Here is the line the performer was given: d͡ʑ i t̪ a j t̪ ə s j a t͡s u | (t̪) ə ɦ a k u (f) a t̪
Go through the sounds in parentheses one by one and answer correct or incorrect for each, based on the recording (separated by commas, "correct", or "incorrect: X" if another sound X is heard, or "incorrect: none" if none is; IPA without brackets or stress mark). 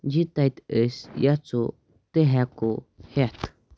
correct, incorrect: h